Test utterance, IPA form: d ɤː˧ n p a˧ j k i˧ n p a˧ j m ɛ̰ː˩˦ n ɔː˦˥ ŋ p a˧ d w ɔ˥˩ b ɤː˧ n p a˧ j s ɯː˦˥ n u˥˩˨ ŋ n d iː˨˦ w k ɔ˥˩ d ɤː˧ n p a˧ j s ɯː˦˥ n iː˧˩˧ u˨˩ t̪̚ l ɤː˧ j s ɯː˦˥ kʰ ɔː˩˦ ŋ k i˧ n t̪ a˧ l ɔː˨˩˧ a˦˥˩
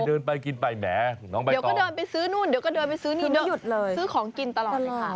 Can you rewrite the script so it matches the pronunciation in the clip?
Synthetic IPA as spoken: d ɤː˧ n p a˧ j k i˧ n p a˧ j m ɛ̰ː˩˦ n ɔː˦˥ ŋ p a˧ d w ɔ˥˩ d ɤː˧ n p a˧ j s ɯː˦˥ n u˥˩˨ n d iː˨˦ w k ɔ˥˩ d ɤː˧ n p a˧ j s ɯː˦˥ n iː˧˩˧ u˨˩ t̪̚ l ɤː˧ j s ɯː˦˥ kʰ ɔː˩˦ ŋ k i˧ n t̪ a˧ l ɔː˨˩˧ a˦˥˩